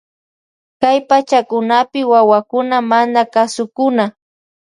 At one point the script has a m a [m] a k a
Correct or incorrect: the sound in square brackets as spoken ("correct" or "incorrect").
incorrect